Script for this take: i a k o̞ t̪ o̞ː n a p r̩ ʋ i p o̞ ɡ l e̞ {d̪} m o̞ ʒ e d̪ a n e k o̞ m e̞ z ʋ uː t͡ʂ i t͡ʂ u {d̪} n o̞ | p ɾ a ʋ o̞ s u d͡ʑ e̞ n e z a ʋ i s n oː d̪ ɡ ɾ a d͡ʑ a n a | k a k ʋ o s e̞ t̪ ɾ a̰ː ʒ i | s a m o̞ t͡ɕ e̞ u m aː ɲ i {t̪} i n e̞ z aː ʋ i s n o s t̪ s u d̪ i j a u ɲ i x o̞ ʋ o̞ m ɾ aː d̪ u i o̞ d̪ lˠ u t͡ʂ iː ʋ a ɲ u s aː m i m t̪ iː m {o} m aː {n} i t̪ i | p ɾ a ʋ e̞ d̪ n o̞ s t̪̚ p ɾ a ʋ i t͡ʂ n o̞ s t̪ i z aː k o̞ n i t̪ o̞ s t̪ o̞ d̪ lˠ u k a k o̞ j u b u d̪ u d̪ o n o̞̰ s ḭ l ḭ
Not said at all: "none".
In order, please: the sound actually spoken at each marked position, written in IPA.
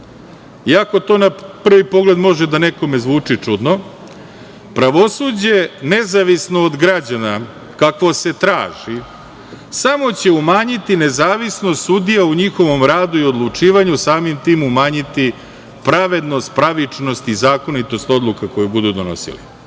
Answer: d̪, d̪, t̪, u, ɲ

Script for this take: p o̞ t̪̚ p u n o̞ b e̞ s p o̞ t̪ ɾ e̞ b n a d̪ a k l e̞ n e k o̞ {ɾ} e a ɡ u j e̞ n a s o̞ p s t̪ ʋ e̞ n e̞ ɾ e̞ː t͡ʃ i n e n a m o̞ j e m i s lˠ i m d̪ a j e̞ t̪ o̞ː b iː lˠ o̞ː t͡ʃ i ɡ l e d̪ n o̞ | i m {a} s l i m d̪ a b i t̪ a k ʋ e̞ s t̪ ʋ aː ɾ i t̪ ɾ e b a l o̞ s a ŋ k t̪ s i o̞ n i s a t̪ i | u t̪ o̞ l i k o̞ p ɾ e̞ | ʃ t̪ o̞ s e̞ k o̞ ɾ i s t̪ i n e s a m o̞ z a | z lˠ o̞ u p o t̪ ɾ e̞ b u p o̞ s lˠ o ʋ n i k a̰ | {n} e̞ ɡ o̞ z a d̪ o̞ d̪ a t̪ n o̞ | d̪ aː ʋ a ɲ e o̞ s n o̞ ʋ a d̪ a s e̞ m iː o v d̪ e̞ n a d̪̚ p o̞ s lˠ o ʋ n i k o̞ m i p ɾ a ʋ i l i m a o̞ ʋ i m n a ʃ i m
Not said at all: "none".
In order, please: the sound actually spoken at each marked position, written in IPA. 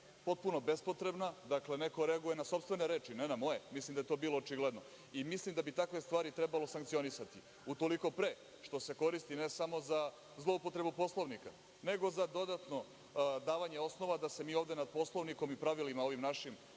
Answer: ɾ, i, n

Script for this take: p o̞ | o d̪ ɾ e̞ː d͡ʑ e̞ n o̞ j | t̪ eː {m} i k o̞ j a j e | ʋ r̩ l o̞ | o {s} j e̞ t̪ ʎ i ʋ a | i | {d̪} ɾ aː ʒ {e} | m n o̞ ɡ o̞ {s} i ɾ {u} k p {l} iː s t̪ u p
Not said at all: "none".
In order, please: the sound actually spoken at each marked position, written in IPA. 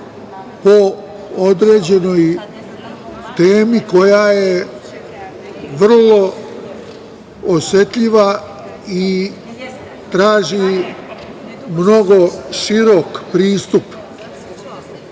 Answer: m, s, t̪, i, ʃ, o, ɾ

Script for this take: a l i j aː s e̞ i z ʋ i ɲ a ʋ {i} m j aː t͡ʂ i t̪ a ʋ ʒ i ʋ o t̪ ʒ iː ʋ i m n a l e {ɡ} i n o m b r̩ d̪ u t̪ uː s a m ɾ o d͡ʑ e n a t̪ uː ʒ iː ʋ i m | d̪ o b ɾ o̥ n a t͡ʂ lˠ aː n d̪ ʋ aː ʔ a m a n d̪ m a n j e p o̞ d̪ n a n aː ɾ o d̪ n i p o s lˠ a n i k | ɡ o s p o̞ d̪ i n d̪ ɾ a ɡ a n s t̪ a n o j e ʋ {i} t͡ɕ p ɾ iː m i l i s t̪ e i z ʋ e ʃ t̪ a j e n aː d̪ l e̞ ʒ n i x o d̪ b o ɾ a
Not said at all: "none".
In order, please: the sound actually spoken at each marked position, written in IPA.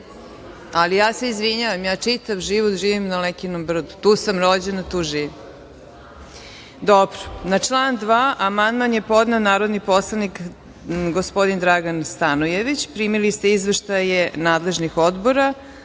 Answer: a, k, i

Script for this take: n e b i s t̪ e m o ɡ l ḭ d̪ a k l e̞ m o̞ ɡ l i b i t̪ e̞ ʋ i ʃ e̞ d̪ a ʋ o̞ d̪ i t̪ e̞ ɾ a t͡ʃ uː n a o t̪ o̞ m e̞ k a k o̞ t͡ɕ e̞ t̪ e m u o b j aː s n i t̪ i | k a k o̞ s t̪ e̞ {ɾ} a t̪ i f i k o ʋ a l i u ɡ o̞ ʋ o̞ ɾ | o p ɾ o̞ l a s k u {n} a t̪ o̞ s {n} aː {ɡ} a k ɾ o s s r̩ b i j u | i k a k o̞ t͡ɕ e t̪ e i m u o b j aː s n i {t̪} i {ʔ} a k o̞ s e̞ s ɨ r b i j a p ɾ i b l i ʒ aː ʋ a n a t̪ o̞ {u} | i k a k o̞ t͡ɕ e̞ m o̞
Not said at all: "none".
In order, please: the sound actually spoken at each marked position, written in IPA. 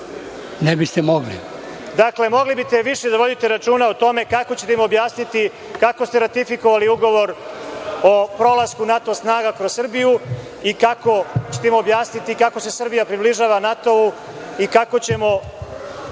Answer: ɾ, n, n, ɡ, t̪, k, u

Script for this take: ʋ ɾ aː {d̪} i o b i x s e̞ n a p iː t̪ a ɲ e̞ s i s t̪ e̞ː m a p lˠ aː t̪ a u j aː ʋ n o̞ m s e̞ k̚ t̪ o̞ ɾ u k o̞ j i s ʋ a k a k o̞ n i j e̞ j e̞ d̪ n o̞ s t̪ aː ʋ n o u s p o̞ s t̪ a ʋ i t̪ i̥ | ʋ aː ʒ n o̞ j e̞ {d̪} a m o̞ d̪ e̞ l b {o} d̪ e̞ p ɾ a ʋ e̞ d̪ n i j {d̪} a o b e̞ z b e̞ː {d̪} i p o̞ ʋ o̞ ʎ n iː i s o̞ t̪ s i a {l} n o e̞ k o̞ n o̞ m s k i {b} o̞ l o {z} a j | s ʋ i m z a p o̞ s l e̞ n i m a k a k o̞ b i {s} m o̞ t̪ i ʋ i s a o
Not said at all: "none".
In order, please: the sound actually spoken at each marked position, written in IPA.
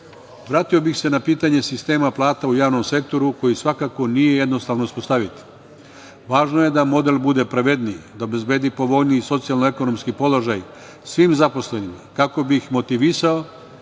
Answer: t̪, d̪, u, d̪, d̪, l, p, ʒ, x

